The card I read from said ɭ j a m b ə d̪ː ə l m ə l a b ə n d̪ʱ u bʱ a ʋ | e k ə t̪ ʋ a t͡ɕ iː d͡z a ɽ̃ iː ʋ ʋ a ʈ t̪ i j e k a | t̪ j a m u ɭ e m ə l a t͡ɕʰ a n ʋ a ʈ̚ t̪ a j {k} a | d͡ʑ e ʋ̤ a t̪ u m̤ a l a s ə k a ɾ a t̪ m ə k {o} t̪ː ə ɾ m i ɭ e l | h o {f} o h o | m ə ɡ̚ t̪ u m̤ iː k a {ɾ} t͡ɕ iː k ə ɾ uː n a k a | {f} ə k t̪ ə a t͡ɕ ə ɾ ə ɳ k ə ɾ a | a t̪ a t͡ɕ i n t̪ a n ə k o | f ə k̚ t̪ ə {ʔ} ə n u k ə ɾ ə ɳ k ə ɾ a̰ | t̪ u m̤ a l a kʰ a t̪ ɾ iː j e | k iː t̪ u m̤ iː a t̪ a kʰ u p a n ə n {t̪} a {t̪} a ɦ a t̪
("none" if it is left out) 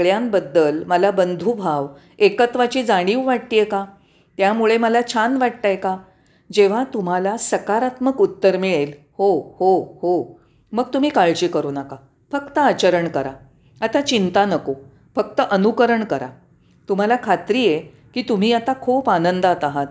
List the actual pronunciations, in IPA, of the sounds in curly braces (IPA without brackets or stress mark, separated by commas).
k, u, h, ɭ, f, ʔ, d̪, t̪